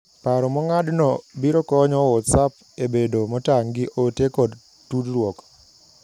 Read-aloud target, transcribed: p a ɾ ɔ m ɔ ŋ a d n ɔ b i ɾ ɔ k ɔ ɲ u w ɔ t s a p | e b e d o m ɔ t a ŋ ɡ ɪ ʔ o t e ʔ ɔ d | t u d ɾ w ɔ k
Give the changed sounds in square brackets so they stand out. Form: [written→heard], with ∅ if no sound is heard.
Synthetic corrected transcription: p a ɾ ɔ m ɔ ŋ a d n ɔ b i ɾ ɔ k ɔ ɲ [u→ɔ] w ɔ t s a p | e b e d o m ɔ t a ŋ ɡ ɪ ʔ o t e [ʔ→k] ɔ d | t u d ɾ w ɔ k